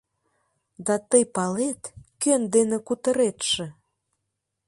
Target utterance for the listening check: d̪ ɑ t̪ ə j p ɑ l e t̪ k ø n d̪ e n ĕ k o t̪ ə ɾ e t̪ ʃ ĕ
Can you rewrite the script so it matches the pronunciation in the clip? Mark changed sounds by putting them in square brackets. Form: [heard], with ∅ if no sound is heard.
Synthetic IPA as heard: d̪ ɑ t̪ ə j p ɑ l e t̪ k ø n d̪ e n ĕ k [u] t̪ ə ɾ e t̪ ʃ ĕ